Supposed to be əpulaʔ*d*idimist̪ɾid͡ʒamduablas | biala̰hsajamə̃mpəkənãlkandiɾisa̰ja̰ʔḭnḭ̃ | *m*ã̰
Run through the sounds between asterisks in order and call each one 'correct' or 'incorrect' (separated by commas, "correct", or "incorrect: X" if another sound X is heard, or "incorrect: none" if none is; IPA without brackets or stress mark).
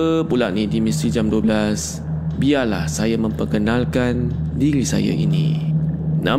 incorrect: n, incorrect: n